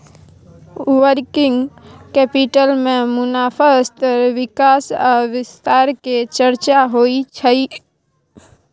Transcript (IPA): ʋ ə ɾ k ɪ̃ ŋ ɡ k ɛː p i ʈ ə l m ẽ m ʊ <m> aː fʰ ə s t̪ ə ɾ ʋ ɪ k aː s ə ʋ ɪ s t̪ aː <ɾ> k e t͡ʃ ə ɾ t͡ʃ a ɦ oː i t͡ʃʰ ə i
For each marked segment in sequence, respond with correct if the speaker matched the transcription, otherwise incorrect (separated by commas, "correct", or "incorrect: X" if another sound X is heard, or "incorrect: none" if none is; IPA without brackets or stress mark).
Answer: incorrect: n, correct